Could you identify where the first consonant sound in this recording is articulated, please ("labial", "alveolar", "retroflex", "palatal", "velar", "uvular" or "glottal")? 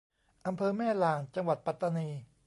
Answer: glottal